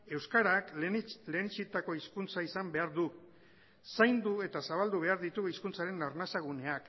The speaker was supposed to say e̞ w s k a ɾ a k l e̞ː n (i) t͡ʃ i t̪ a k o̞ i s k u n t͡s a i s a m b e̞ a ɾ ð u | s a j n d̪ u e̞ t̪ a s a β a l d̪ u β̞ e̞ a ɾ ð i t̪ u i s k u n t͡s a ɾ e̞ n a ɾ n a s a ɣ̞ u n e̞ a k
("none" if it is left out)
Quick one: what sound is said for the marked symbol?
i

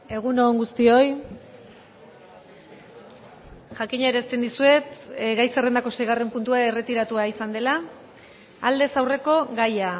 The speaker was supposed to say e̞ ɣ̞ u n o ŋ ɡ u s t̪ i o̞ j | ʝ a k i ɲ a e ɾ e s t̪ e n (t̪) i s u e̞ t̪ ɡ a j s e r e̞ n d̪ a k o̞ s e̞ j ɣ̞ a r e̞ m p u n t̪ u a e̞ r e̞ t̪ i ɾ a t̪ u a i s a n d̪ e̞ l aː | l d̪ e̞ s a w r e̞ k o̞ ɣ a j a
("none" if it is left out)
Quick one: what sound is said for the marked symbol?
d̪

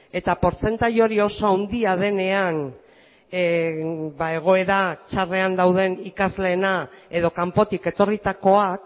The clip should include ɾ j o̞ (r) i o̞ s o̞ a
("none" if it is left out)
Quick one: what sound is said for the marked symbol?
ɾ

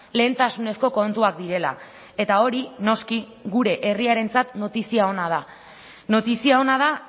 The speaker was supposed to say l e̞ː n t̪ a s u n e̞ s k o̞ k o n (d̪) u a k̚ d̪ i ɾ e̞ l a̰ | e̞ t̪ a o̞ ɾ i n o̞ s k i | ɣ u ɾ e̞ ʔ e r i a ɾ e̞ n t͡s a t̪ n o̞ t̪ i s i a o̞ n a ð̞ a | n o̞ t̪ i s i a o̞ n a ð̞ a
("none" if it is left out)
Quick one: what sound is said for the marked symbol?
t̪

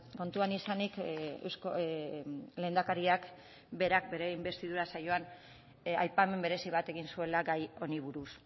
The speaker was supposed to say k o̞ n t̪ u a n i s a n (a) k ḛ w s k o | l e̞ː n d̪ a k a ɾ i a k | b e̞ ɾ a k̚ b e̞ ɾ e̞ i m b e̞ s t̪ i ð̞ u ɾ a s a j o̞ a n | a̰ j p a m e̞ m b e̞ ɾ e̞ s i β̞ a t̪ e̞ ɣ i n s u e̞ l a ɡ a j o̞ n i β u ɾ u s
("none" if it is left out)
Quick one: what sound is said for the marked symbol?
i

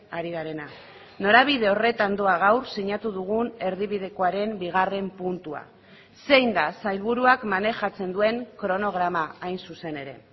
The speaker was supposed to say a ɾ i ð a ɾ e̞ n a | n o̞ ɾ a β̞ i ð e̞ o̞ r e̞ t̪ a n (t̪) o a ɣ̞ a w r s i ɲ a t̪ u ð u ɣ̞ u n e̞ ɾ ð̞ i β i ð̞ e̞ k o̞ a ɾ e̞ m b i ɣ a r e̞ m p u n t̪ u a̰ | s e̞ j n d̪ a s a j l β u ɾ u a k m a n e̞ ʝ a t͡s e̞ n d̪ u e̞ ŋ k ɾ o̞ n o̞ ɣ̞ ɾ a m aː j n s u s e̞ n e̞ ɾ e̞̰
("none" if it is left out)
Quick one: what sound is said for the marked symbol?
d̪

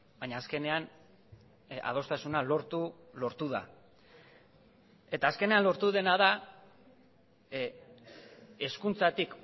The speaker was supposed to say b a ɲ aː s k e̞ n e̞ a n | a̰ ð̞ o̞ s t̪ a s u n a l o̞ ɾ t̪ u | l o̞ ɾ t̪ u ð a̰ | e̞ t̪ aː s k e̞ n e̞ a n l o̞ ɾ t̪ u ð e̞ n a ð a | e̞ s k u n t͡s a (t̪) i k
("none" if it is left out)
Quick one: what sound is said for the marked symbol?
t̪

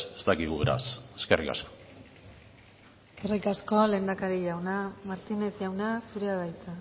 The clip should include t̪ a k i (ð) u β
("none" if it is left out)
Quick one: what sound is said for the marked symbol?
ɣ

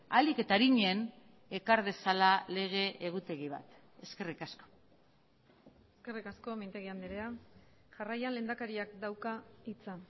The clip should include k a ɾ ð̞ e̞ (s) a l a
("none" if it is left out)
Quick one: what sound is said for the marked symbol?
s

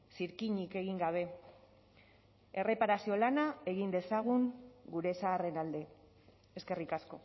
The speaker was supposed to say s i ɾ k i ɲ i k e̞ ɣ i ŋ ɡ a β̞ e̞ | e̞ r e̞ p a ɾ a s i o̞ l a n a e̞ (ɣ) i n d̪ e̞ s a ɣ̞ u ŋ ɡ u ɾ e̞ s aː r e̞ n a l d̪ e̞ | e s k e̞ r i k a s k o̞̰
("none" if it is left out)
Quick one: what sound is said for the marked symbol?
ɣ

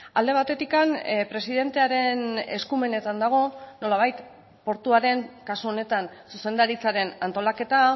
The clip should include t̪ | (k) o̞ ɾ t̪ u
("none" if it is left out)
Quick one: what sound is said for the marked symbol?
p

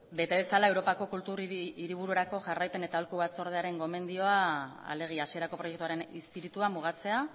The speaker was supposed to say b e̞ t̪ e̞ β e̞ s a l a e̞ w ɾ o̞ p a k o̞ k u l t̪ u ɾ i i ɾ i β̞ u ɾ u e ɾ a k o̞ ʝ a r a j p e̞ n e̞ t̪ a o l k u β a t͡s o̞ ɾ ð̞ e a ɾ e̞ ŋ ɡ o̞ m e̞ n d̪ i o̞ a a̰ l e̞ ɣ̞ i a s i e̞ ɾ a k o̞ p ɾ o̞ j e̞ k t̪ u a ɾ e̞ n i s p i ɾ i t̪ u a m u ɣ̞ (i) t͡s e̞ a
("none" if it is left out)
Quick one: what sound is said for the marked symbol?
a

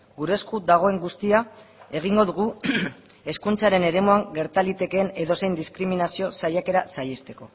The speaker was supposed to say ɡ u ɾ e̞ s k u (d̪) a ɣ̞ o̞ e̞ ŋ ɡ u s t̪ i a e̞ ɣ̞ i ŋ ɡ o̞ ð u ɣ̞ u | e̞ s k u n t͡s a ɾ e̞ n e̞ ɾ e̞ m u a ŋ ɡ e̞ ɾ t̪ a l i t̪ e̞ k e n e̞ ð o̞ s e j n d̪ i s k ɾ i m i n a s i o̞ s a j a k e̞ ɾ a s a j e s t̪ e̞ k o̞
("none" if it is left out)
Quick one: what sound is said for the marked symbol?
d̪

